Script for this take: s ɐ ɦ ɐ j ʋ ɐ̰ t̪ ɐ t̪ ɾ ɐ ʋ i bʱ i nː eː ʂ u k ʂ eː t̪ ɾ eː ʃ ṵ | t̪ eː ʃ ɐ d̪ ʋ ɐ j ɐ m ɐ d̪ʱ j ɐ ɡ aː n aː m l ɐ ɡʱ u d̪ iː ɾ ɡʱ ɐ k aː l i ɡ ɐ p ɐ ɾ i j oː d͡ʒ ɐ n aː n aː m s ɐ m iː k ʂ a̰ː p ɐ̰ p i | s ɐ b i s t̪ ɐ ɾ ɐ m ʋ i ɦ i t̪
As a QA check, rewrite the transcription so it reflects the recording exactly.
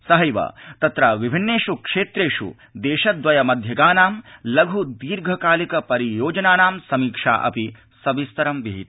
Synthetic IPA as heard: s ɐ ɦ ɐ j ʋ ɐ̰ t̪ ɐ t̪ ɾ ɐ ʋ i bʱ i nː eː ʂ u k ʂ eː t̪ ɾ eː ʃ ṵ | d̪ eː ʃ ɐ d̪ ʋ ɐ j ɐ m ɐ d̪ʱ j ɐ ɡ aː n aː m l ɐ ɡʱ u d̪ iː ɾ ɡʱ ɐ k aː l i k ɐ p ɐ ɾ i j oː d͡ʒ ɐ n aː n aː m s ɐ m iː k ʂ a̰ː ʔ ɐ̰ p i | s ɐ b i s t̪ ɐ ɾ ɐ m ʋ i ɦ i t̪